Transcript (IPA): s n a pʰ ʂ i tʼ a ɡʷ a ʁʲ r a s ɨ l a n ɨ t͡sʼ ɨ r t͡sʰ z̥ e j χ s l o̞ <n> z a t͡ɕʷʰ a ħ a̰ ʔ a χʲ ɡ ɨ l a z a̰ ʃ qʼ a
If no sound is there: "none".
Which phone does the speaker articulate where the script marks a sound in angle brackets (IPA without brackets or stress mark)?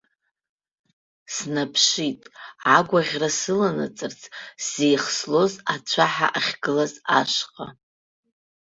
none